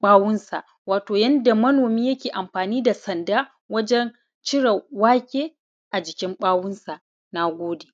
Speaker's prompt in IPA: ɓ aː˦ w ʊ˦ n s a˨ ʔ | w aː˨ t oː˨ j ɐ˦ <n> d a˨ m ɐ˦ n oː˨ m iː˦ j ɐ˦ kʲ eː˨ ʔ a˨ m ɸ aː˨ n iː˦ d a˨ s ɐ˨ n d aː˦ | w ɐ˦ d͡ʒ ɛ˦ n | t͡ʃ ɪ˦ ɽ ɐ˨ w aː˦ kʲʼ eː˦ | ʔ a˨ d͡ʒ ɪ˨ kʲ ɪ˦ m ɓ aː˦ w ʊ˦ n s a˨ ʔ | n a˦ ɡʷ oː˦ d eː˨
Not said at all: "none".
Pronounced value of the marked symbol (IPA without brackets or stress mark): n